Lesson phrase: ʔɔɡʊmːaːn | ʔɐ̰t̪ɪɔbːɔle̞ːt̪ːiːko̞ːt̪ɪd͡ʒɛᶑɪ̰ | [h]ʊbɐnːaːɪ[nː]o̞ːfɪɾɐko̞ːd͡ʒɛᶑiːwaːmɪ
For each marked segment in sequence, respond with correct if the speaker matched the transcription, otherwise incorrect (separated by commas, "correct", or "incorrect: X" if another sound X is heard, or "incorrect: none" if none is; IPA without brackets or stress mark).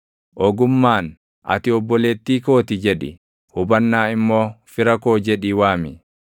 correct, incorrect: mː